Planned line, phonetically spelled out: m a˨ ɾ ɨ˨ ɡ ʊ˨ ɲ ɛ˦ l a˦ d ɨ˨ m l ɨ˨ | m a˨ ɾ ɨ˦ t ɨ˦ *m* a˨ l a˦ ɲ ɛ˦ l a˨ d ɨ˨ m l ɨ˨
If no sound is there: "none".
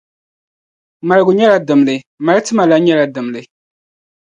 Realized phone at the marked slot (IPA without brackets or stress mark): m